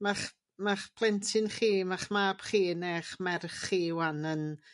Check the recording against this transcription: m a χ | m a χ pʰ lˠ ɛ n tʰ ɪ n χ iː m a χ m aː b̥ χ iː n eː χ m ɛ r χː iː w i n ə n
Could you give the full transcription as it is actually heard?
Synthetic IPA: m a χ | m a χ pʰ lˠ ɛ n tʰ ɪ n χ iː m a χ m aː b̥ χ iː n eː χ m ɛ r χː iː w a n ə n